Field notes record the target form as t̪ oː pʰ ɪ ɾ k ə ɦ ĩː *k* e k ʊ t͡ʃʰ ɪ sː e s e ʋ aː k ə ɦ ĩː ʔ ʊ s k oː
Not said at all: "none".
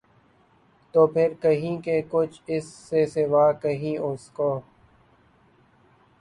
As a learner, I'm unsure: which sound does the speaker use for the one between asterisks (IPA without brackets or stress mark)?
k